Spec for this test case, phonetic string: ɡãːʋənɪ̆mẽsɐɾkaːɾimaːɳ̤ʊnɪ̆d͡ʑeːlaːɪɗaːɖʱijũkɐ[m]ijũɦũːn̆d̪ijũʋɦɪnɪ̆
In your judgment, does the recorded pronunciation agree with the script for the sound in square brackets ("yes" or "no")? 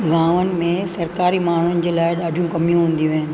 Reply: yes